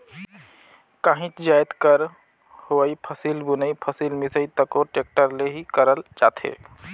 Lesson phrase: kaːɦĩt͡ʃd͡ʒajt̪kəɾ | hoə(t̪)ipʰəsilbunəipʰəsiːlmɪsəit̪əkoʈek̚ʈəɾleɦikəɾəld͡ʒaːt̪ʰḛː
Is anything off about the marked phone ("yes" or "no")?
yes